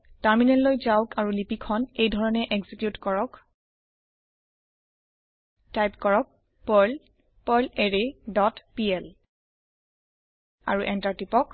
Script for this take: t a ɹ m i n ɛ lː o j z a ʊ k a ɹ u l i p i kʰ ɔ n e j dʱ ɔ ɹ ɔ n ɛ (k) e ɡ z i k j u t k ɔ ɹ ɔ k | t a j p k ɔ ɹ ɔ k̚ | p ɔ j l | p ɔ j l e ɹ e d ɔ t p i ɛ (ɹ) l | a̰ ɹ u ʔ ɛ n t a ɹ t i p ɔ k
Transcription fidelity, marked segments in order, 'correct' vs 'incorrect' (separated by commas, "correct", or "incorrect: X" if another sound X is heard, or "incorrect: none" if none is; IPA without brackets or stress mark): incorrect: ʔ, incorrect: none